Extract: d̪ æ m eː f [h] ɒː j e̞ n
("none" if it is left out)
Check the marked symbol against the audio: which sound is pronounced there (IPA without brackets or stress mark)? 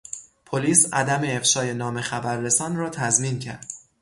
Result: ʃ